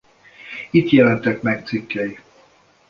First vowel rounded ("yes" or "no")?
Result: no